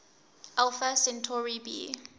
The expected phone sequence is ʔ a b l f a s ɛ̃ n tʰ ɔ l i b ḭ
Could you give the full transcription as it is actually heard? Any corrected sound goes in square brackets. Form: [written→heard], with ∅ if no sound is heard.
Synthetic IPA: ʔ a [b→∅] l f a s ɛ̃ n tʰ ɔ [l→ɹ] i b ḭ